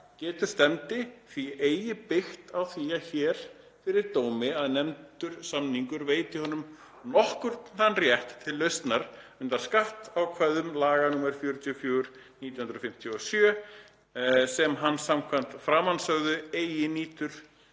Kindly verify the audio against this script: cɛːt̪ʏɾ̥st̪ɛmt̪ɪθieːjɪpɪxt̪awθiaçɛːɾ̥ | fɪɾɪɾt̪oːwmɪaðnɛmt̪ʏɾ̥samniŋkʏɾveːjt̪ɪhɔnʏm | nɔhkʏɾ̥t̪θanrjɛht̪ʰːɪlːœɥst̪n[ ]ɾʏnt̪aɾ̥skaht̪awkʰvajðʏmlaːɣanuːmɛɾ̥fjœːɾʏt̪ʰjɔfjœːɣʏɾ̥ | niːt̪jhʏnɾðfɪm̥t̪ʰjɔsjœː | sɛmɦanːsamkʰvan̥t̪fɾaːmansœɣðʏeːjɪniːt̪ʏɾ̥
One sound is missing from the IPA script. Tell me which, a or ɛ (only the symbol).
a